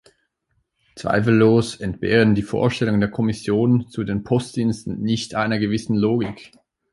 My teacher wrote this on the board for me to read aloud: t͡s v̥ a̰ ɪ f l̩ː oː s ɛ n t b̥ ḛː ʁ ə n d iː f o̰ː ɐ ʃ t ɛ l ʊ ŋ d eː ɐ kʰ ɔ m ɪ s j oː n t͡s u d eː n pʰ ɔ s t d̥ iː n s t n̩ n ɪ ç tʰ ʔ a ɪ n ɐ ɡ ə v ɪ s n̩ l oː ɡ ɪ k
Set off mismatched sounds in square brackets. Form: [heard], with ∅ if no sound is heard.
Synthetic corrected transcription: t͡s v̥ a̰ ɪ f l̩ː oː s ɛ n t b̥ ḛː ʁ ə n d iː f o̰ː ɐ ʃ t ɛ l ʊ ŋ d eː ɐ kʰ ɔ m ɪ s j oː n t͡s u d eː n pʰ ɔ s t d̥ iː n s t n̩ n ɪ ç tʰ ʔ a ɪ n ɐ ɡ ə v ɪ s n̩ l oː ɡ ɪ k

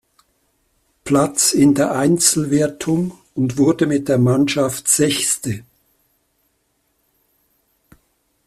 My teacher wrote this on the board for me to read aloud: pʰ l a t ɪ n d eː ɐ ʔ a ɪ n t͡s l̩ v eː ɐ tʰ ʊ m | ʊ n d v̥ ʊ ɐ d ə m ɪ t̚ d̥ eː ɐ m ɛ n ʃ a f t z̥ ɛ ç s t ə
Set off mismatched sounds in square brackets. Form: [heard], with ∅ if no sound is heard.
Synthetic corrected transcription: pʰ l a [t͡s] ɪ n d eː ɐ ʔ a ɪ n t͡s l̩ v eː ɐ tʰ ʊ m | ʊ n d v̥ ʊ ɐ d ə m ɪ t̚ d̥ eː ɐ m [a] n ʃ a f t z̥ ɛ ç s t ə

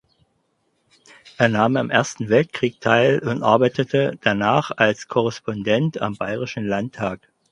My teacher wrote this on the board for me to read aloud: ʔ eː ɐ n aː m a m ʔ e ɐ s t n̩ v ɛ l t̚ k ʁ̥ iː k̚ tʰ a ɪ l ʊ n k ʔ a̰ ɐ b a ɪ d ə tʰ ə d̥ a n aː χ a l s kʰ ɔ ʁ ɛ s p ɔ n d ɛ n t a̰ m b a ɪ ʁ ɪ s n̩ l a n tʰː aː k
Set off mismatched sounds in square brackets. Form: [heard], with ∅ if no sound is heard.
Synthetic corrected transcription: ʔ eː ɐ n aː m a m ʔ e ɐ s t n̩ v ɛ l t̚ k ʁ̥ iː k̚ tʰ a ɪ l ʊ n [t] ʔ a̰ ɐ b a ɪ [t] ə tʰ ə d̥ a n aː χ a l s kʰ ɔ ʁ ɛ s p ɔ n d ɛ n t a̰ m b a ɪ ʁ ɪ [ʃ] n̩ l a n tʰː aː k

